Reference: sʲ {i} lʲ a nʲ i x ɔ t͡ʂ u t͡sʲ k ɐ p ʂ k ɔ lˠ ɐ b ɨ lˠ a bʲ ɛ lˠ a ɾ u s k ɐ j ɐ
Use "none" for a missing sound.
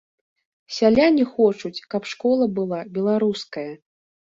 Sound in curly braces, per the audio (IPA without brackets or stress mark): a